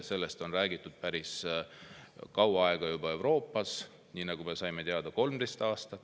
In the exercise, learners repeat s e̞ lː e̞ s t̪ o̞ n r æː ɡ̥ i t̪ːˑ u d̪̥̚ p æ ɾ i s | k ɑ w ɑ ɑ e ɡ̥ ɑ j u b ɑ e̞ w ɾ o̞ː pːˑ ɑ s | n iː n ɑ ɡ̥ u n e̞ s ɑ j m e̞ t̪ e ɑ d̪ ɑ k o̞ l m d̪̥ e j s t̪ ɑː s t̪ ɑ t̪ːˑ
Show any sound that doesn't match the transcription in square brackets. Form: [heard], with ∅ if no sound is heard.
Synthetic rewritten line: s e̞ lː e̞ s t̪ o̞ n r æː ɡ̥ i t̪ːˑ u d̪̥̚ p æ ɾ i s | k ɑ w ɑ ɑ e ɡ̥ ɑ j u b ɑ e̞ w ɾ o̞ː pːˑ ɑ s | n iː n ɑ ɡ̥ u [m] e̞ s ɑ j m e̞ t̪ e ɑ d̪ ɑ k o̞ l m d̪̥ e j s t̪ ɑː s t̪ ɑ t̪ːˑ